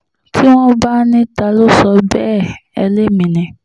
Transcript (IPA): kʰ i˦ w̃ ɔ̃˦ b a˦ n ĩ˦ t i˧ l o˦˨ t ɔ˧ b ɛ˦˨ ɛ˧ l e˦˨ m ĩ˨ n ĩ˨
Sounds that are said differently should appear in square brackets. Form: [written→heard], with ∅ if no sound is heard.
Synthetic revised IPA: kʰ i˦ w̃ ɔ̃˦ b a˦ n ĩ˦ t [i˧→a˧] l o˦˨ [t→s] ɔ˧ b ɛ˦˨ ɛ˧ l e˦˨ m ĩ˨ n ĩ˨